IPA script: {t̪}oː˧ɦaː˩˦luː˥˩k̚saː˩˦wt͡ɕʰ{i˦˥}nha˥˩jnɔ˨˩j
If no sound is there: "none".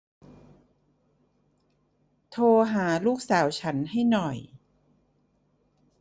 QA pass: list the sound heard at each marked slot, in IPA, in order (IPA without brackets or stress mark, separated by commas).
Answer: t̪ʰ, a˦˥